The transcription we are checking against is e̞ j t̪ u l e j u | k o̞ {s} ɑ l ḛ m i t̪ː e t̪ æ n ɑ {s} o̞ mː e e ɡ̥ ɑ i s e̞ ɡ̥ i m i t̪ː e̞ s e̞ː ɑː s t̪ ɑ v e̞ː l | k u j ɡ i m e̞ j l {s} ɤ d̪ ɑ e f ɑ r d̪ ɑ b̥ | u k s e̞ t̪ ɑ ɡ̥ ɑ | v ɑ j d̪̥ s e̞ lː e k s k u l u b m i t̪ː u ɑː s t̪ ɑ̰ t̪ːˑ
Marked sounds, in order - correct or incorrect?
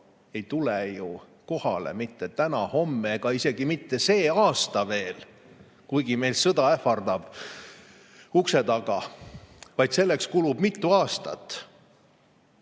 incorrect: h, incorrect: h, correct

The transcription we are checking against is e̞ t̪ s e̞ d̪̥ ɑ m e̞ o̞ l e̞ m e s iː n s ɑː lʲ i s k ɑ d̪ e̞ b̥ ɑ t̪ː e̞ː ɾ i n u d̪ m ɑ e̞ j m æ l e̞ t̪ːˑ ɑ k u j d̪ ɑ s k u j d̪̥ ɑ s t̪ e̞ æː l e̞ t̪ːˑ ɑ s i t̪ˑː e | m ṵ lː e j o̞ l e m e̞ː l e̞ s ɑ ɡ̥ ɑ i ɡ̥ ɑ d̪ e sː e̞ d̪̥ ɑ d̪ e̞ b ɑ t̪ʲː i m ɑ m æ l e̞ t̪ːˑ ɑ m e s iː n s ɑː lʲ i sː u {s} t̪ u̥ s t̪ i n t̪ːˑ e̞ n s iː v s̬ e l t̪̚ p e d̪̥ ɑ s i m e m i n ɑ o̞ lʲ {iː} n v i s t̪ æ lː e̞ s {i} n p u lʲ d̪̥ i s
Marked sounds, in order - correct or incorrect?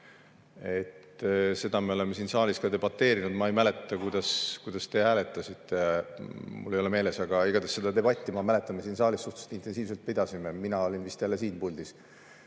incorrect: h, incorrect: i, incorrect: iː

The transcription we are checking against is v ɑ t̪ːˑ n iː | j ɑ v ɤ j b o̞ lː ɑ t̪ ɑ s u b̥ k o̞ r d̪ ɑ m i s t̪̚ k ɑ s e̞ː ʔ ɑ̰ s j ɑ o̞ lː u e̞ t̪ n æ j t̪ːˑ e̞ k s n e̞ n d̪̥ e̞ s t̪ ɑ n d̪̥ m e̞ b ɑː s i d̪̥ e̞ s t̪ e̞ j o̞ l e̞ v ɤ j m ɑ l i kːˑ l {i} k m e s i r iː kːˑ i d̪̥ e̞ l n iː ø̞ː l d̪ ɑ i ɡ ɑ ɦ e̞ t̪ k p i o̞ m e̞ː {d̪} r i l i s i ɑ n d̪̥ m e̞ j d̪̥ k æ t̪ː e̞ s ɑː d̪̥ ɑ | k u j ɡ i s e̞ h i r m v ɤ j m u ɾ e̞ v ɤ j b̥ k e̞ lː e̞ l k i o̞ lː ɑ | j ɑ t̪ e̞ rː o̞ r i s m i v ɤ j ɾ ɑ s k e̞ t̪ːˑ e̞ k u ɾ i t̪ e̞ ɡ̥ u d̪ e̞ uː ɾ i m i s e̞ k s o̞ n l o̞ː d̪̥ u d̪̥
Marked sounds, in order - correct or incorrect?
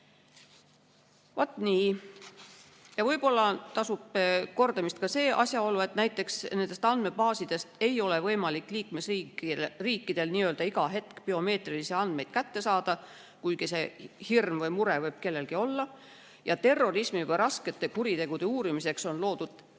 incorrect: iː, incorrect: t̪

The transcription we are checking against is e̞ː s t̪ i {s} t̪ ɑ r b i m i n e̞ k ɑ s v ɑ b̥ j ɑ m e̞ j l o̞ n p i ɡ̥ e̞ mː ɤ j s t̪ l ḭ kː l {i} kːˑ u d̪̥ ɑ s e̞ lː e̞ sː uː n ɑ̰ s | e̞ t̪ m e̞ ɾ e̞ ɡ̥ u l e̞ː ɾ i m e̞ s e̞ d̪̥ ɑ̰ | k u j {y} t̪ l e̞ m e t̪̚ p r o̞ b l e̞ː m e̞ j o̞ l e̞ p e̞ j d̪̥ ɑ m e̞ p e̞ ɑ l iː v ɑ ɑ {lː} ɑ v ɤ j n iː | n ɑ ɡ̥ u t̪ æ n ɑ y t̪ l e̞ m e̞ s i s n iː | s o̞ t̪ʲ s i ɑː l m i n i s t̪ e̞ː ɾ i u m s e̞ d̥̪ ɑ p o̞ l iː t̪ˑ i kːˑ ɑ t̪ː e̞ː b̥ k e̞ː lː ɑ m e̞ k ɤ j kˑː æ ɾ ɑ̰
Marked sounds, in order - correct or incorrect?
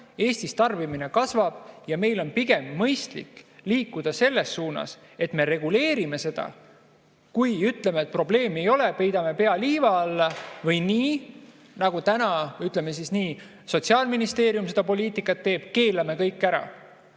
correct, incorrect: iː, correct, correct

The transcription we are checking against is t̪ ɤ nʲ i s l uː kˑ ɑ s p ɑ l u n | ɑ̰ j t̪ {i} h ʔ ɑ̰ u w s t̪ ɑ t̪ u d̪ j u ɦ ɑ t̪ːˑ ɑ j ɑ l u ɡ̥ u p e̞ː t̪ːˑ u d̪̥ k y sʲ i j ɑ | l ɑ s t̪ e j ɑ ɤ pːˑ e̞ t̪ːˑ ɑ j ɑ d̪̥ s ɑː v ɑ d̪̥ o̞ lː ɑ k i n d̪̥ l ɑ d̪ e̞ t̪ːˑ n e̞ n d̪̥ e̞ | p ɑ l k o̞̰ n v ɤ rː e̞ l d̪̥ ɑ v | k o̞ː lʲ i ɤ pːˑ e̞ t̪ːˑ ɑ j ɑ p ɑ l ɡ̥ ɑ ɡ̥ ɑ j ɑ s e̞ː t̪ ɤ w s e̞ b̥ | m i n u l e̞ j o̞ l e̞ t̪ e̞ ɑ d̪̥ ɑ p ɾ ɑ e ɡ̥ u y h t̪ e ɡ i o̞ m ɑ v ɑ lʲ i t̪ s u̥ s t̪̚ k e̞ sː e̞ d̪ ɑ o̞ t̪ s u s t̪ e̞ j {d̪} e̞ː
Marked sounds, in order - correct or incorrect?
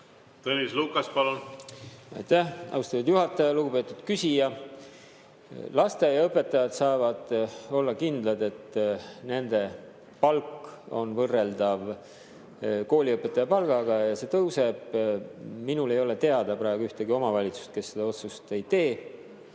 incorrect: æ, incorrect: t̪

